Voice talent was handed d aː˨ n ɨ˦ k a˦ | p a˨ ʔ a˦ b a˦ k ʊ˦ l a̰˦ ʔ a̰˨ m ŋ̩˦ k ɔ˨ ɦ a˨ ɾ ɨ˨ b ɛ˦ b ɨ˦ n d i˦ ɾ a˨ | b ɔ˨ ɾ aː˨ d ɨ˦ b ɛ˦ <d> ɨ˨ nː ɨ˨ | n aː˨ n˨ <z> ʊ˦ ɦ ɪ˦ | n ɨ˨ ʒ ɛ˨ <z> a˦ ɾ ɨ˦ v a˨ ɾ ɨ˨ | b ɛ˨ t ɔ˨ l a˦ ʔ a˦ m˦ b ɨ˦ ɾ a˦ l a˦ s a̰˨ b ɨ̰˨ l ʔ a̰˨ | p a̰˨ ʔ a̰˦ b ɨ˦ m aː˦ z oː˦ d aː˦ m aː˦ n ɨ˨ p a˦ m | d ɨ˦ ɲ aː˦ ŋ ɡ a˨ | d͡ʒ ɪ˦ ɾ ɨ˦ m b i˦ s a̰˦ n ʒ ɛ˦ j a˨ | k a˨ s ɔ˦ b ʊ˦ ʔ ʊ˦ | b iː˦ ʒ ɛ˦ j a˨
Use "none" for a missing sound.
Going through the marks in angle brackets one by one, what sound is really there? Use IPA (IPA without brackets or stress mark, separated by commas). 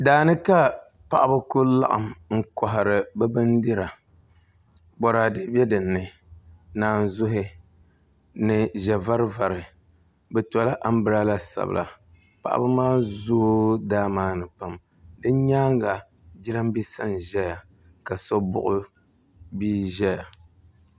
d, z, v